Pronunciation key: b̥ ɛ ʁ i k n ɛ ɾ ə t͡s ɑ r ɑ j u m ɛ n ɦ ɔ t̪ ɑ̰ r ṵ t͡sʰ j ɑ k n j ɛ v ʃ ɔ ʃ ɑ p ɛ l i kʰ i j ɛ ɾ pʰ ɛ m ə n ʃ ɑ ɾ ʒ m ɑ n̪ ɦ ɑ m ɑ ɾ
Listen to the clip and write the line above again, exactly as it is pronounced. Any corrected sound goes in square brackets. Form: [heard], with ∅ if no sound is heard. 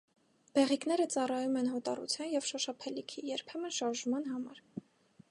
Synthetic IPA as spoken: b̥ ɛ ʁ i k n ɛ ɾ ə t͡s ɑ r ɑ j u m ɛ n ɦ ɔ t̪ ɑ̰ r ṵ t͡sʰ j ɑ [∅] n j ɛ v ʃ ɔ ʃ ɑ [pʰ] ɛ l i kʰ i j ɛ ɾ pʰ ɛ m ə n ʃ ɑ ɾ ʒ m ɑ n̪ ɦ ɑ m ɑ ɾ

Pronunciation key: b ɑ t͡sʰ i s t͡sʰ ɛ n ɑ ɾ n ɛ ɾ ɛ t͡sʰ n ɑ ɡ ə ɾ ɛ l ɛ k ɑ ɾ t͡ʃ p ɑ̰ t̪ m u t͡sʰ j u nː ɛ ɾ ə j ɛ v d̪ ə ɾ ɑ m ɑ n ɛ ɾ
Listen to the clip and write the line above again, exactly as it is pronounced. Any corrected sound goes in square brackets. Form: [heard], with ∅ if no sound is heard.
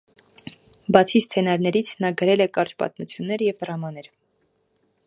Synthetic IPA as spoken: b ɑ t͡sʰ i s t͡sʰ ɛ n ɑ ɾ n ɛ ɾ [i] t͡sʰ n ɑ ɡ ə ɾ ɛ l ɛ k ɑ ɾ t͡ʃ p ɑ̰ t̪ m u t͡sʰ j u nː ɛ ɾ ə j ɛ v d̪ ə ɾ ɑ m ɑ n ɛ ɾ

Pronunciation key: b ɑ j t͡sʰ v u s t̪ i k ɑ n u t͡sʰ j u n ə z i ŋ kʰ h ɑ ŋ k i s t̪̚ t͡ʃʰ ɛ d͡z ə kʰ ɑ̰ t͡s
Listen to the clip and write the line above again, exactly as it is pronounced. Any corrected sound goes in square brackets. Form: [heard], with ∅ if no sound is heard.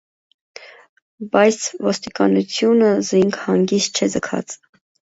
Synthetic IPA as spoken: b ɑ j t͡sʰ v [ɔ] s t̪ i k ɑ n u t͡sʰ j u n ə z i ŋ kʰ h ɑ ŋ [ɡ] i s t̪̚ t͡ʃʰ ɛ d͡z ə kʰ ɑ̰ t͡s

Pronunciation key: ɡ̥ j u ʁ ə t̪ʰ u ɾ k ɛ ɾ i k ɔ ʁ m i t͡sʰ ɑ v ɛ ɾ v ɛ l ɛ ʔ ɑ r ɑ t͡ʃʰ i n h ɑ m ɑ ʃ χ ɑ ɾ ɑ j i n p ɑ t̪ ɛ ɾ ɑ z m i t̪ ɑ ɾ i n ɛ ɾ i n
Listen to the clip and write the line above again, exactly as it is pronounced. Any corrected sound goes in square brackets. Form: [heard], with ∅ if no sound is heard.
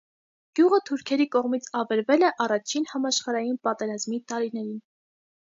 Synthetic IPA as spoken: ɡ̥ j u ʁ ə t̪ʰ u ɾ [kʰ] ɛ ɾ i k ɔ ʁ m i t͡sʰ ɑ v ɛ ɾ v ɛ l ɛ ʔ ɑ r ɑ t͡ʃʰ i n h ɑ m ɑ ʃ χ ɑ ɾ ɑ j i n p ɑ t̪ ɛ ɾ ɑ z m i t̪ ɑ ɾ i n ɛ ɾ i n

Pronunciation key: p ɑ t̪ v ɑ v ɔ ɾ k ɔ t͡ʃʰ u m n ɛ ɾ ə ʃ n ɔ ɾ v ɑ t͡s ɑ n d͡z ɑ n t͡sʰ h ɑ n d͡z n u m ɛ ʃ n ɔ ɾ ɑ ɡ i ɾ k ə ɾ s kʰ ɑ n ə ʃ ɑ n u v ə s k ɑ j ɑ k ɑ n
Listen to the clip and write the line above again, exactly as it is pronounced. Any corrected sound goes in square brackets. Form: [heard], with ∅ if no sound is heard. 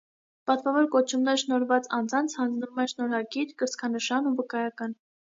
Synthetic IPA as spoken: p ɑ t̪ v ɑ v ɔ ɾ k ɔ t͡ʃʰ u m n ɛ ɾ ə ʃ n ɔ ɾ v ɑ t͡s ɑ n d͡z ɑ n t͡sʰ h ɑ n d͡z n u m ɛ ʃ n ɔ ɾ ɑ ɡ i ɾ k ə ɾ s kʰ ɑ n ə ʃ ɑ n u v ə [∅] k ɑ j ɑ k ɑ n

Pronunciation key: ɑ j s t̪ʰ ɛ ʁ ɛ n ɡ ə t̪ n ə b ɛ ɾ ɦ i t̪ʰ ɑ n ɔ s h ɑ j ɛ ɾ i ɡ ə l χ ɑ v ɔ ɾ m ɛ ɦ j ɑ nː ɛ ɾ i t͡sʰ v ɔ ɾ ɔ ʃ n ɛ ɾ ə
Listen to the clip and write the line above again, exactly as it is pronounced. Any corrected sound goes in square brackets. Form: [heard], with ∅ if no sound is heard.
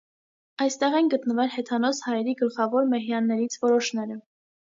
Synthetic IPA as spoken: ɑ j s [t̪] ɛ ʁ ɛ n ɡ ə t̪ n ə [v] ɛ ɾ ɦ [ɛ] t̪ʰ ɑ n ɔ s h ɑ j ɛ ɾ i ɡ ə l χ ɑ v ɔ ɾ m ɛ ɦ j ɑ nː ɛ ɾ i t͡sʰ v ɔ ɾ ɔ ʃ n ɛ ɾ ə

